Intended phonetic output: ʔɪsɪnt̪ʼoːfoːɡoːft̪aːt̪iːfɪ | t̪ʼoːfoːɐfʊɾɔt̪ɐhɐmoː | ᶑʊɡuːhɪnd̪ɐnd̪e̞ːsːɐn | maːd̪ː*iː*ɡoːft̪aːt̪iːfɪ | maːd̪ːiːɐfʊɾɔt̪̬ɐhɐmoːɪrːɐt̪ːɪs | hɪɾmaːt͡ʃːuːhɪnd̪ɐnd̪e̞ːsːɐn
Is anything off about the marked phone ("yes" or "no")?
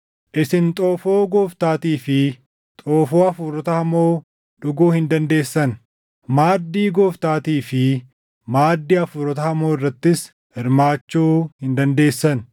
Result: no